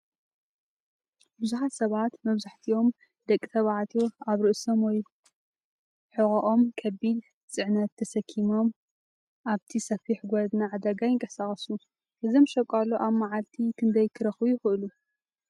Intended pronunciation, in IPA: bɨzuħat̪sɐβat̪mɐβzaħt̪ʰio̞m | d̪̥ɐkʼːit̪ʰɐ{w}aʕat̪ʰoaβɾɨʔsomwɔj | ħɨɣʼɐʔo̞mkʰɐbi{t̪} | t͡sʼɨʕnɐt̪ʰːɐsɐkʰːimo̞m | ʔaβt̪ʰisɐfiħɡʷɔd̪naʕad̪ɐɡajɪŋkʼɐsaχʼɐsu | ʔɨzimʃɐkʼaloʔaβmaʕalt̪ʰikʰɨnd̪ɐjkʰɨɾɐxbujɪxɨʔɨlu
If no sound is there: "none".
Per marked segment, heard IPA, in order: β, d̪

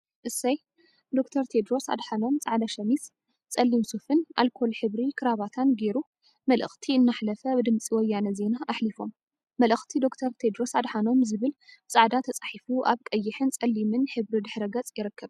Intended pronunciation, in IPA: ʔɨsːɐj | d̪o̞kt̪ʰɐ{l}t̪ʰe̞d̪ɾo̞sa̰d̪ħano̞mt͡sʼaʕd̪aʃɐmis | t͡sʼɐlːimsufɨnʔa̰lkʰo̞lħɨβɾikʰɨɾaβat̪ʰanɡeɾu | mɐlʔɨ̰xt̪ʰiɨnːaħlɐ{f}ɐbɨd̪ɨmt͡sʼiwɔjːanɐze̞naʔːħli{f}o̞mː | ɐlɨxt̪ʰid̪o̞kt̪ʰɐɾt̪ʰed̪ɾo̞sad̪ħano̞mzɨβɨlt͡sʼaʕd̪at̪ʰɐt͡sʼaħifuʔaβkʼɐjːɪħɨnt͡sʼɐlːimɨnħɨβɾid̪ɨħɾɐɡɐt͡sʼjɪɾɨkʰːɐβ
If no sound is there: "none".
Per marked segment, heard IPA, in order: ɾ, f, f

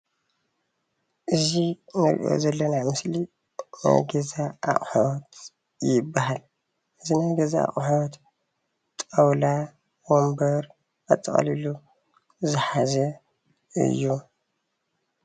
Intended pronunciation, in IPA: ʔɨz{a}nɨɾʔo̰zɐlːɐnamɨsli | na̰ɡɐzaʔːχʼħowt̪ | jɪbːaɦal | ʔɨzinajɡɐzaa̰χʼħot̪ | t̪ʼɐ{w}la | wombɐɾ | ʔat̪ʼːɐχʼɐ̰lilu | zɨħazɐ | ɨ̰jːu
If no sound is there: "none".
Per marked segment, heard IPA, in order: i, w

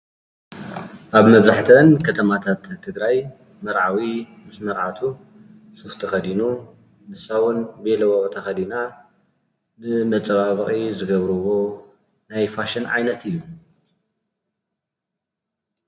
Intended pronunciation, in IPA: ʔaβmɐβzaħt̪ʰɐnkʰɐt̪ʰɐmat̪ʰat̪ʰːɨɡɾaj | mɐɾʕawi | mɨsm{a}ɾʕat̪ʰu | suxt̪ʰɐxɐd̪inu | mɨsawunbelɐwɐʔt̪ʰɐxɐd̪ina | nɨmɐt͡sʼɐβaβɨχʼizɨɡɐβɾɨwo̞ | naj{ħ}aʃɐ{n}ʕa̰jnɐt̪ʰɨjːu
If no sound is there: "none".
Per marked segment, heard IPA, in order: ɐ, f, n

